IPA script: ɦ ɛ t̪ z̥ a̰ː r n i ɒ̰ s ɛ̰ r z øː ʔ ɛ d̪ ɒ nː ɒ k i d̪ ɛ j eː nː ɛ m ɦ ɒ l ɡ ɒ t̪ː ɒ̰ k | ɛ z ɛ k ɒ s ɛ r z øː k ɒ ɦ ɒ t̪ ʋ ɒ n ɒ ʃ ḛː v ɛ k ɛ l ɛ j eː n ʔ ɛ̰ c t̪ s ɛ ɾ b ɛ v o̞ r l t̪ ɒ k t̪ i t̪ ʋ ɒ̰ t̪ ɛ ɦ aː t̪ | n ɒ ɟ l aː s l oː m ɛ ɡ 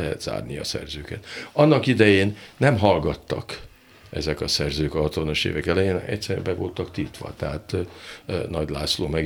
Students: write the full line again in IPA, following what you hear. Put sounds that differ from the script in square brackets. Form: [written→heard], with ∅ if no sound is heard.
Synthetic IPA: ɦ ɛ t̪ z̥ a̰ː r n i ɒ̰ s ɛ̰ r z øː [ʔ→k] ɛ [d̪→t̪] ɒ nː ɒ k i d̪ ɛ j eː nː ɛ m ɦ ɒ l ɡ ɒ t̪ː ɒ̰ k | ɛ z ɛ k ɒ s ɛ r z øː k ɒ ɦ ɒ t̪ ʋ ɒ n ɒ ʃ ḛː v ɛ k ɛ l ɛ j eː n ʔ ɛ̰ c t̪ s ɛ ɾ b ɛ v o̞ [r→∅] l t̪ ɒ k t̪ i t̪ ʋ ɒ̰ t̪ ɛ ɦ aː t̪ | n ɒ ɟ l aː s l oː m ɛ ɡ